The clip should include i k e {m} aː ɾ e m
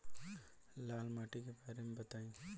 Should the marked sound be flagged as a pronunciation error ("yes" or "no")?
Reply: yes